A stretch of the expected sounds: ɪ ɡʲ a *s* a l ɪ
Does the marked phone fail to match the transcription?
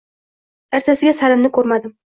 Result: no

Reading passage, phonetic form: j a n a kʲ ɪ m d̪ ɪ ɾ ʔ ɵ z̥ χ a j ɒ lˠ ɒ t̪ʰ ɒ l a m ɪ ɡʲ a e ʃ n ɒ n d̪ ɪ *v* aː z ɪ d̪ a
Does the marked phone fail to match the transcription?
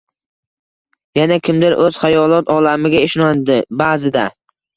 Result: yes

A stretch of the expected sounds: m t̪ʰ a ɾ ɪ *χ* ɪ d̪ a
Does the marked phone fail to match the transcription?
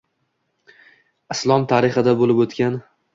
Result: no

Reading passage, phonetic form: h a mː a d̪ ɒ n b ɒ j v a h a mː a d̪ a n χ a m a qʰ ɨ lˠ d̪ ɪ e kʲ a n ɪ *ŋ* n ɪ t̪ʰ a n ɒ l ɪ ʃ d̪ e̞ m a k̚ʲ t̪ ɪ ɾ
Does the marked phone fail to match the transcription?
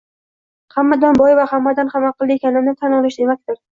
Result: yes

